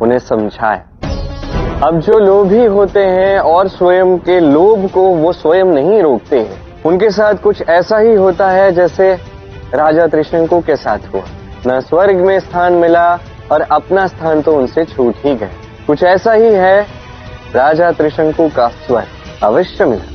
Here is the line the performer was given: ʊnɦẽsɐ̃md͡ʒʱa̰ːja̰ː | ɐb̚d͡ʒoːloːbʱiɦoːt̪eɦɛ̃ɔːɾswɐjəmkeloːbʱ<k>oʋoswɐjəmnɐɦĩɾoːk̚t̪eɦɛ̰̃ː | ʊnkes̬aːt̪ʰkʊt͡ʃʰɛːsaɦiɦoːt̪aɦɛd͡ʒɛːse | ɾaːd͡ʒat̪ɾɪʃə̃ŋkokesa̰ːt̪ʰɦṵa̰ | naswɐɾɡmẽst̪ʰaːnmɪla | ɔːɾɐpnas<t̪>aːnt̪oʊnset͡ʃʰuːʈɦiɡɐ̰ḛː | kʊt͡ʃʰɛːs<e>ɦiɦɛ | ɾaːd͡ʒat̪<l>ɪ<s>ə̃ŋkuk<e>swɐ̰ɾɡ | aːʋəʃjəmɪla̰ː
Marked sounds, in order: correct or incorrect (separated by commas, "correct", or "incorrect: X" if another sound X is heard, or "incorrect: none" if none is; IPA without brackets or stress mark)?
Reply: correct, incorrect: t̪ʰ, incorrect: a, incorrect: ɾ, incorrect: ʃ, incorrect: a